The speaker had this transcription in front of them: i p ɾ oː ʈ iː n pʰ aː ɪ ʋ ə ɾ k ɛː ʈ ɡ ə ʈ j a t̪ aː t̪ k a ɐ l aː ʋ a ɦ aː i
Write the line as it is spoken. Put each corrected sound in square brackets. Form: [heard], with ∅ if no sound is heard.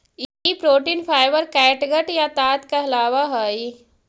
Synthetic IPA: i p ɾ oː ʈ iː n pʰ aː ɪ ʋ ə ɾ k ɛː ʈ ɡ ə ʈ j a t̪ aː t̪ k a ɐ l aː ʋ a ɦ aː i